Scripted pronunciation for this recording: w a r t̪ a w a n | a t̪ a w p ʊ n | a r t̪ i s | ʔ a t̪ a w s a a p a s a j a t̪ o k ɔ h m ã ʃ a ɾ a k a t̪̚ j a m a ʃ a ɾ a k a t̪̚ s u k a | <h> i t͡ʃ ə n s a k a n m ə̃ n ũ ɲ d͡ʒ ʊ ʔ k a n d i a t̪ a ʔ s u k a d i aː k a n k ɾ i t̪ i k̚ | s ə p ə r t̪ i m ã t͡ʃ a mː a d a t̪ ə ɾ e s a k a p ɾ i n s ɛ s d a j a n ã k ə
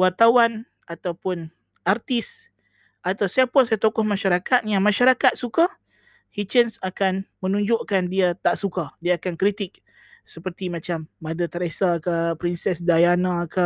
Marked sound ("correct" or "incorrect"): correct